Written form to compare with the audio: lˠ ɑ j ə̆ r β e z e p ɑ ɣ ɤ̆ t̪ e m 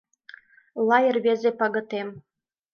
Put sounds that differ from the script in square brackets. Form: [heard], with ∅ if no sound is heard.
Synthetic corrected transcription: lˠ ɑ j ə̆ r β e z e p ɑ ɣ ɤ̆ t̪ e m